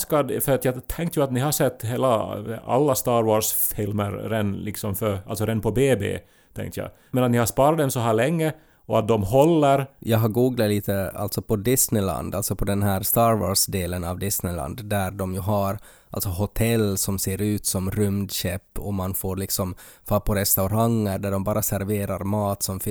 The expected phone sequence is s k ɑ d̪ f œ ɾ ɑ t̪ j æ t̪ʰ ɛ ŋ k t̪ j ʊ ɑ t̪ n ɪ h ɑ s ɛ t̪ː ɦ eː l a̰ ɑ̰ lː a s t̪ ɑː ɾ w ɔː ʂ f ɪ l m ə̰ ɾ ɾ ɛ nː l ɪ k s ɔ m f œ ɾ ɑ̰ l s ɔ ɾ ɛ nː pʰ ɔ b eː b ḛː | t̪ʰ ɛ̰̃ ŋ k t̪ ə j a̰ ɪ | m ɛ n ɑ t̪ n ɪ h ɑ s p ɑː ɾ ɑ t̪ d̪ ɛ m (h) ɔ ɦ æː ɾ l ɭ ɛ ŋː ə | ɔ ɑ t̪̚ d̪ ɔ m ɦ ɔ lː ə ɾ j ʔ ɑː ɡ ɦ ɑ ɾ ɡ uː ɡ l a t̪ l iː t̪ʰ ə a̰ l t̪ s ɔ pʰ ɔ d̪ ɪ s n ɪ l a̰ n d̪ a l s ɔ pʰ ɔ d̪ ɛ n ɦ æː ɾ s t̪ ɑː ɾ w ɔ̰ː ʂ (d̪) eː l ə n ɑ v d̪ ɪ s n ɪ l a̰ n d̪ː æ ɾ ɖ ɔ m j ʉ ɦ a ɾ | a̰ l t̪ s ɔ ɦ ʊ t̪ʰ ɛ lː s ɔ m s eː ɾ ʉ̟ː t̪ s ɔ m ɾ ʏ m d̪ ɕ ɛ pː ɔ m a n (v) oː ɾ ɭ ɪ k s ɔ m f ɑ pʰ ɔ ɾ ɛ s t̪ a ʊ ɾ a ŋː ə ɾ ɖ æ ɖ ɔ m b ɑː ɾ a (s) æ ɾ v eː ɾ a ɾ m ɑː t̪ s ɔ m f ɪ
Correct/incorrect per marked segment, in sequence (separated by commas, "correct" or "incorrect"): incorrect, correct, incorrect, correct